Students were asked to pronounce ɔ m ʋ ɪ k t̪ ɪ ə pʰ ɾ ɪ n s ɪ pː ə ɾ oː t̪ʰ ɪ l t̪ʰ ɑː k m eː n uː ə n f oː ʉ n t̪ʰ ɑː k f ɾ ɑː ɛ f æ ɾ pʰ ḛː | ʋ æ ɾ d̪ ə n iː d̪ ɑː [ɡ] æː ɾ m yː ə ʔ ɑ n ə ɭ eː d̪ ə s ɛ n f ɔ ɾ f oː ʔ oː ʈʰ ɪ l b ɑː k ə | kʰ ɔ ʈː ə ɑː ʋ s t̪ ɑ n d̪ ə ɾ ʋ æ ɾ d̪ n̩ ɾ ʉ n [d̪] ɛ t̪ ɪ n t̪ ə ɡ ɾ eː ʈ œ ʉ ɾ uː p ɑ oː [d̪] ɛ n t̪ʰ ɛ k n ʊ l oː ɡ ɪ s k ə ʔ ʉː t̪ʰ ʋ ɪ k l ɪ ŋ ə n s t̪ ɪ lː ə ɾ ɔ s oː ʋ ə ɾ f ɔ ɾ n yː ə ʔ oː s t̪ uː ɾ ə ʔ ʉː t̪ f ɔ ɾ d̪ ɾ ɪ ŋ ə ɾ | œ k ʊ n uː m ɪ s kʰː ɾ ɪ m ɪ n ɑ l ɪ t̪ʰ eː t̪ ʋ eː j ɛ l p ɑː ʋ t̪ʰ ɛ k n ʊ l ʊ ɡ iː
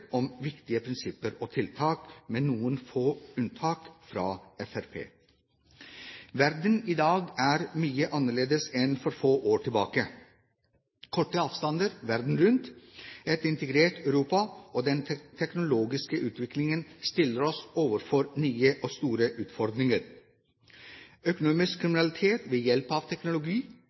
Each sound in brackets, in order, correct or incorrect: correct, incorrect: t̪, correct

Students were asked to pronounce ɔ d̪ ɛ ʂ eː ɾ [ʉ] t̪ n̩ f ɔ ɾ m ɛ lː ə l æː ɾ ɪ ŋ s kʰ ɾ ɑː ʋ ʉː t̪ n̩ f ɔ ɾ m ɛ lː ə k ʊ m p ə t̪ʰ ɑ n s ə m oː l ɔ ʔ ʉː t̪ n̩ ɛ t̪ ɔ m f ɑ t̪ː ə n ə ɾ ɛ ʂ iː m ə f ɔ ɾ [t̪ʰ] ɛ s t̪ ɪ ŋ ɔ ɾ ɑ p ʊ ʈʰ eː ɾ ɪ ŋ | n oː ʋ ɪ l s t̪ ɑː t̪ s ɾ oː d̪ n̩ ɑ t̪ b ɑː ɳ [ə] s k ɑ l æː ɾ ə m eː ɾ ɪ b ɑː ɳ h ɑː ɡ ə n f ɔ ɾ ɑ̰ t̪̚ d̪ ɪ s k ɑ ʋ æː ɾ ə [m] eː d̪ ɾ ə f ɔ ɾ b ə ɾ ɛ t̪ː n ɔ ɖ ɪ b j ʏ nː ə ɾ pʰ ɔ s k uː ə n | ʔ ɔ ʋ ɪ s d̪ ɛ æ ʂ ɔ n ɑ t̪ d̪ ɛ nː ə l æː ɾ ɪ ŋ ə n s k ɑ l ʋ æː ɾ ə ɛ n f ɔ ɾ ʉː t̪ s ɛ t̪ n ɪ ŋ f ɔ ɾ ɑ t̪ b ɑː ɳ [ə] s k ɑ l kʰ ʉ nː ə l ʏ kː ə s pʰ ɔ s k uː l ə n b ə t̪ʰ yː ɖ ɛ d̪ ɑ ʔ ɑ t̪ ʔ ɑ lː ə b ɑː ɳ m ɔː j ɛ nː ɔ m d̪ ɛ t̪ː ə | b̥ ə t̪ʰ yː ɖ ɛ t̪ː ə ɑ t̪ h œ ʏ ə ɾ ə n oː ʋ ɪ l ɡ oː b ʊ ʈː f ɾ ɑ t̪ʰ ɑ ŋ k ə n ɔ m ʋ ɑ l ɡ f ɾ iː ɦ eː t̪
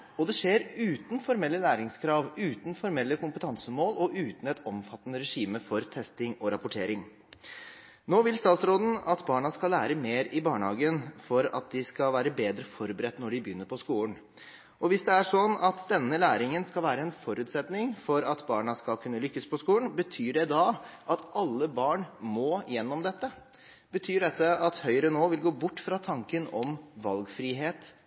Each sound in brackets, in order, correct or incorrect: incorrect: ʉː, correct, incorrect: ɑ, incorrect: b, incorrect: ɑ

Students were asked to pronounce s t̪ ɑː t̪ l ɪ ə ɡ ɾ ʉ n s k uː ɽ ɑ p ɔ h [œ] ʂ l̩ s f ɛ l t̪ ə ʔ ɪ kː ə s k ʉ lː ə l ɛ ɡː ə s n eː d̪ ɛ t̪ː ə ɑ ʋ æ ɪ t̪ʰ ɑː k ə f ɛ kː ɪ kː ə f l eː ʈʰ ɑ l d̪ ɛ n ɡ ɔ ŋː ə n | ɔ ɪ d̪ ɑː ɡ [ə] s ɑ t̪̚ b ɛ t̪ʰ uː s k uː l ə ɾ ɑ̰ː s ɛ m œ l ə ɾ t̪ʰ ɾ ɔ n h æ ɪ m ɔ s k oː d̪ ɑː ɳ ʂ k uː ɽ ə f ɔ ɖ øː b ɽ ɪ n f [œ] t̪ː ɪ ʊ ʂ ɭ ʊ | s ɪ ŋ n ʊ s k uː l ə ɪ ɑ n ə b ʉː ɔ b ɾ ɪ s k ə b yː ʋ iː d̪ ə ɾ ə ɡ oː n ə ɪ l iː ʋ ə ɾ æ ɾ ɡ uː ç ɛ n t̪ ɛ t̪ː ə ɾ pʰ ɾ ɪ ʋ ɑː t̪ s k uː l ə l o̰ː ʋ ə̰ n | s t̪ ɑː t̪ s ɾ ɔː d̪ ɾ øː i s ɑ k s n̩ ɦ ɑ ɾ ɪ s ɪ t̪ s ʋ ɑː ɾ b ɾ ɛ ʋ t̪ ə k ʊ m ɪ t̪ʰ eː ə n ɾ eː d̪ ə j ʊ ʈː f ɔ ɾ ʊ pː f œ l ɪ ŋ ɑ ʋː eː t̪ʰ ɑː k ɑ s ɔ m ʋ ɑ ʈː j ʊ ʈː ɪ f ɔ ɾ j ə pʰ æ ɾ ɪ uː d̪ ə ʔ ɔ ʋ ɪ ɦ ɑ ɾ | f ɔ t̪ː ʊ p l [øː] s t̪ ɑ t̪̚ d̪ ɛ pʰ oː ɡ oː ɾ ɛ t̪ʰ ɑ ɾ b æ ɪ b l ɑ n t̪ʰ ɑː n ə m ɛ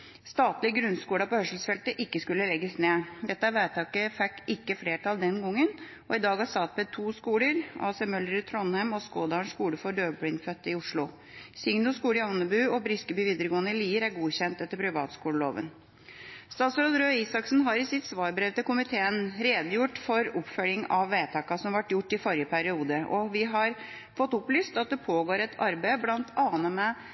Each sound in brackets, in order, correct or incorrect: correct, incorrect: ɑ, correct, incorrect: yː

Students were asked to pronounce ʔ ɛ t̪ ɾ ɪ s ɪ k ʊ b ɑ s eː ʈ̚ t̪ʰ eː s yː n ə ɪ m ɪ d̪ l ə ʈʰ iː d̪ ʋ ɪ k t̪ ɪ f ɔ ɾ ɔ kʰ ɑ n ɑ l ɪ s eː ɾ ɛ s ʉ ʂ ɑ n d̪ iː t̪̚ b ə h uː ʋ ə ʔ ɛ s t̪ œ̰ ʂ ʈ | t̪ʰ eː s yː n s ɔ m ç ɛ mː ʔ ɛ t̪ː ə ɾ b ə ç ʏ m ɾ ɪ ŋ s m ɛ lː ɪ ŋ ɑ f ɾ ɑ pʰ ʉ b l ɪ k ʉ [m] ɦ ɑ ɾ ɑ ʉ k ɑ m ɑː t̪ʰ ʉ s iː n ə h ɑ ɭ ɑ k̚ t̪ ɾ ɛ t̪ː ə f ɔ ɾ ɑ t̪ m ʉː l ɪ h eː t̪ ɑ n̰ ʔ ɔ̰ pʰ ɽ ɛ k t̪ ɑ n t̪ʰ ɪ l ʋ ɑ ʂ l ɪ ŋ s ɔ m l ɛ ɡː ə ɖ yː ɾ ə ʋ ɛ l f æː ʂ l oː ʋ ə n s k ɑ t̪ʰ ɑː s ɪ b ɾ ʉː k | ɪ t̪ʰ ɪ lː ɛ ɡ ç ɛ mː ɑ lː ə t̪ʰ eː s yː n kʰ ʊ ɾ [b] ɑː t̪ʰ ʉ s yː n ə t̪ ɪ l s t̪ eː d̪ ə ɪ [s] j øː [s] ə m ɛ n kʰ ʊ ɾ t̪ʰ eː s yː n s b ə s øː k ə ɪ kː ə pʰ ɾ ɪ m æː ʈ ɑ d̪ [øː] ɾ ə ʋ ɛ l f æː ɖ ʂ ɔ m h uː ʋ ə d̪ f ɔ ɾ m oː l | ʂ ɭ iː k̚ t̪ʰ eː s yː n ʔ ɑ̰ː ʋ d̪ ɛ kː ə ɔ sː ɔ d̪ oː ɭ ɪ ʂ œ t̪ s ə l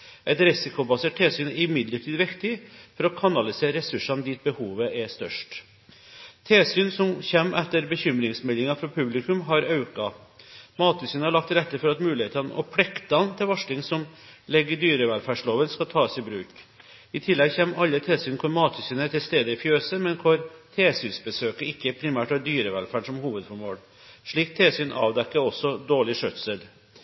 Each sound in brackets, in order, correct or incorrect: correct, incorrect: m, incorrect: f, correct, incorrect: yː

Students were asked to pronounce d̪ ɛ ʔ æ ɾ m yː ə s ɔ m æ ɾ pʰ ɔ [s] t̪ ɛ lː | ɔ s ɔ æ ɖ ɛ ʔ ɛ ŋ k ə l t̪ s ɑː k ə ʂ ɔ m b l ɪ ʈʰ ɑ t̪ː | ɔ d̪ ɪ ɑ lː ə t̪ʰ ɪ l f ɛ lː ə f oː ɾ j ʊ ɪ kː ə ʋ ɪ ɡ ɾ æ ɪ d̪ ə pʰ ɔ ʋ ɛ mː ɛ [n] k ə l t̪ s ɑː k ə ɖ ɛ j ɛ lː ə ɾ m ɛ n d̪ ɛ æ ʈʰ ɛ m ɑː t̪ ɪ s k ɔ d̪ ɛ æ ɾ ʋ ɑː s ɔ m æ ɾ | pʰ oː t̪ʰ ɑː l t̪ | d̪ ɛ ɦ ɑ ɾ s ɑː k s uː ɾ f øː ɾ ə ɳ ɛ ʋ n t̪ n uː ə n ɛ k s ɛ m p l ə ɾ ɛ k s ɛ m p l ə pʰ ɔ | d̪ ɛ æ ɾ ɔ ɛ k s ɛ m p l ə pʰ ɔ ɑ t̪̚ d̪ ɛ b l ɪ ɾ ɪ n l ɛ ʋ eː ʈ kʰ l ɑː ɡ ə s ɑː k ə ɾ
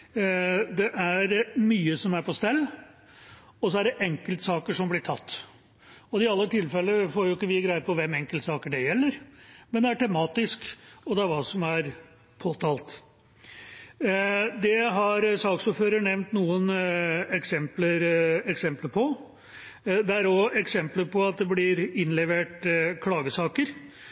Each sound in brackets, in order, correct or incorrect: correct, incorrect: ŋ

